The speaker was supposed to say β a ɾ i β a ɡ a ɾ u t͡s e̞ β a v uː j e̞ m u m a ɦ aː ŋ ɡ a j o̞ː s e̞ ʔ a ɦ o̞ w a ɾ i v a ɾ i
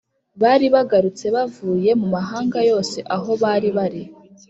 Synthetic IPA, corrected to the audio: β a ɾ i β a ɡ a ɾ u t͡s e̞ β a v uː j e̞ m u m a ɦ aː ŋ ɡ a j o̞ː s e̞ ʔ a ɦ o̞ β a ɾ i β a ɾ i